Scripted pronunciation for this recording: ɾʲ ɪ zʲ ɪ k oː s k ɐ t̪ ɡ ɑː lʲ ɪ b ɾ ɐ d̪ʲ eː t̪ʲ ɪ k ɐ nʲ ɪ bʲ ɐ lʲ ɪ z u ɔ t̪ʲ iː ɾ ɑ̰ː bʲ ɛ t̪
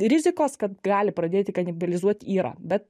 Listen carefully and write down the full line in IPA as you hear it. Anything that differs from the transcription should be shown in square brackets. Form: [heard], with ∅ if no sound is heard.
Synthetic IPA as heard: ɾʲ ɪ zʲ ɪ k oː s k ɐ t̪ ɡ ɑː lʲ ɪ [p] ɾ ɐ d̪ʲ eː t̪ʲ ɪ k ɐ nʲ ɪ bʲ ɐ lʲ ɪ z u ɔ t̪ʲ iː ɾ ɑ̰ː bʲ ɛ t̪